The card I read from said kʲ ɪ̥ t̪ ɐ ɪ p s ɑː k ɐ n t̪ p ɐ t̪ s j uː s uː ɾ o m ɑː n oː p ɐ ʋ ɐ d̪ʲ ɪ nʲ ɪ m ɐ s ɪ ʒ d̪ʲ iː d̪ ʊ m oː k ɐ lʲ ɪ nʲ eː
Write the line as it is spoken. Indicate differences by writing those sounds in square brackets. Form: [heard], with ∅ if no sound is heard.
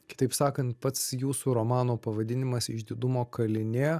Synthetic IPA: kʲ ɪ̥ t̪ ɐ ɪ p s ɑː k ɐ n t̪ p ɐ t̪ s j uː s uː ɾ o m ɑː n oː p ɐ ʋ ɐ d̪ʲ ɪ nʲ ɪ m ɐ s ɪ ʒ d̪ʲ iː d̪ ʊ m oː k ɐ lʲ ɪ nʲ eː